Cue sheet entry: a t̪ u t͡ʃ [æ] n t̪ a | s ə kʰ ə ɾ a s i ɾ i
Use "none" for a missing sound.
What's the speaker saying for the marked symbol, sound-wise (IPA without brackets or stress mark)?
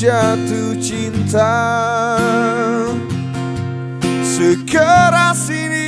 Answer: i